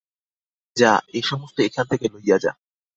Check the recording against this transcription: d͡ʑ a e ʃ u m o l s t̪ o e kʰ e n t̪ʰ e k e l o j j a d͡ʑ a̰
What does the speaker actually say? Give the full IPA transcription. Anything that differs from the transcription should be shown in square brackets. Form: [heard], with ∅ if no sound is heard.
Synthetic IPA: d͡ʑ a e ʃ [ɔ] m o [∅] s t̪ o e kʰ [a] n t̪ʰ e k e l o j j a d͡ʑ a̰